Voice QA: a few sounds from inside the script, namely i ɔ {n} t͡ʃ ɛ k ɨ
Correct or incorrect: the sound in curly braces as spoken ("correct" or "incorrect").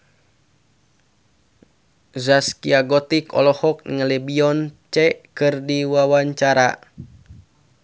correct